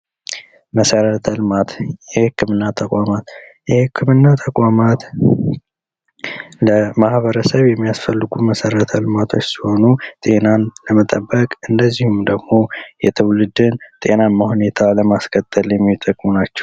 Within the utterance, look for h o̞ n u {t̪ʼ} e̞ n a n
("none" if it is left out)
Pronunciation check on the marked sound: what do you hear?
t̪ʼ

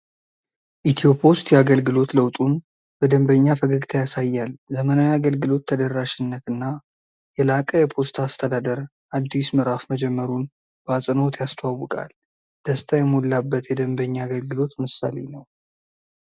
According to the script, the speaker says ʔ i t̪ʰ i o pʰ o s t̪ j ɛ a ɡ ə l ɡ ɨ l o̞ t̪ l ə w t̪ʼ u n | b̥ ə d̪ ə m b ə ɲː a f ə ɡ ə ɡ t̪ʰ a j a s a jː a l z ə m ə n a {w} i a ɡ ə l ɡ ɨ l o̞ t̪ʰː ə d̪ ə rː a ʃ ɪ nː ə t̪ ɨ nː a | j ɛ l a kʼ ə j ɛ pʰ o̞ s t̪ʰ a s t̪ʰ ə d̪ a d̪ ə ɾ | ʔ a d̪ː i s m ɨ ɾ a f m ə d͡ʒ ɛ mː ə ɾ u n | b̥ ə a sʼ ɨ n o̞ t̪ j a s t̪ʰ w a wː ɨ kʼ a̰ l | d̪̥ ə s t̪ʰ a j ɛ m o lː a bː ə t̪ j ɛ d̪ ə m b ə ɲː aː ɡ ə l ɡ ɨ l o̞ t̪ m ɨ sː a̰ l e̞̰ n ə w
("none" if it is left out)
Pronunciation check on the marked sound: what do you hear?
w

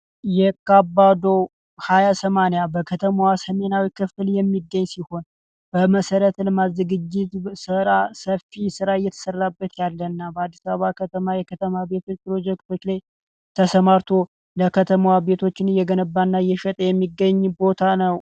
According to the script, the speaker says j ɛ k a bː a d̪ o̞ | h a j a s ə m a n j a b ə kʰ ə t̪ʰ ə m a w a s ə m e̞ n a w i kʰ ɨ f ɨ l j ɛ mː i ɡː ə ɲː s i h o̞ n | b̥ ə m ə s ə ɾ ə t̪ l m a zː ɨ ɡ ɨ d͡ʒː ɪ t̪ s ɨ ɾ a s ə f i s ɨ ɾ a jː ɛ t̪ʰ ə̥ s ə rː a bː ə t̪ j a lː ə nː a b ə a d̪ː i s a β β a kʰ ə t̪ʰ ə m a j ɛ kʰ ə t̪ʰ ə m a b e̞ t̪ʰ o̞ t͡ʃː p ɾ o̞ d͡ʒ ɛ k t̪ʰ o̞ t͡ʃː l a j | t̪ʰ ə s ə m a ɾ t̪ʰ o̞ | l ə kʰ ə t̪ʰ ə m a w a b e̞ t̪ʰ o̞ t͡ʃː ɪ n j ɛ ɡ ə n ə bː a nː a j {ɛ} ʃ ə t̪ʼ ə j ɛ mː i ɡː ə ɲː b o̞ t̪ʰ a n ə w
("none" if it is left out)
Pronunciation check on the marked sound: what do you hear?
ɛ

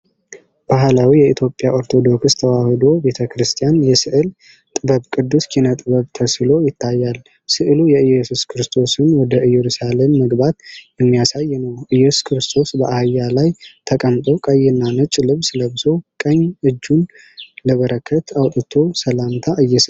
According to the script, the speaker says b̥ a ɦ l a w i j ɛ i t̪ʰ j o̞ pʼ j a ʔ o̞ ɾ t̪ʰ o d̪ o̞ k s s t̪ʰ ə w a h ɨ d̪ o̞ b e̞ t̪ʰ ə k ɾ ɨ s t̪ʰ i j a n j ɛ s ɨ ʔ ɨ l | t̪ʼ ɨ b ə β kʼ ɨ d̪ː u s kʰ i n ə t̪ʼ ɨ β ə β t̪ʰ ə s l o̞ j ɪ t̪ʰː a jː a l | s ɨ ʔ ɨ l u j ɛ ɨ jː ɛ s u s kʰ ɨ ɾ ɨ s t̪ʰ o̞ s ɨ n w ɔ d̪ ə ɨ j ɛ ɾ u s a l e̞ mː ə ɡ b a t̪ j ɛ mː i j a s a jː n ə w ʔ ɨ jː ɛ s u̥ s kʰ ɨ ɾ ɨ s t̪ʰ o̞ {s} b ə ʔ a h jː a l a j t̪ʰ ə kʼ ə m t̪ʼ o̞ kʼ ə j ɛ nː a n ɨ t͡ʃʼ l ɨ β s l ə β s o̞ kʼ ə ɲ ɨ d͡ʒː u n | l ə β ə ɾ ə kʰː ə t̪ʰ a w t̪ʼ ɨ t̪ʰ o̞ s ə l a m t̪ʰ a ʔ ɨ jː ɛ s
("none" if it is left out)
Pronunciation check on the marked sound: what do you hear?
s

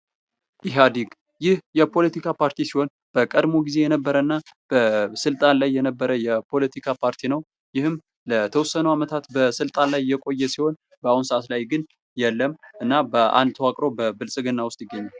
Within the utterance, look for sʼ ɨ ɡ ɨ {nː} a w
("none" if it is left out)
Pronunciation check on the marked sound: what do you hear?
nː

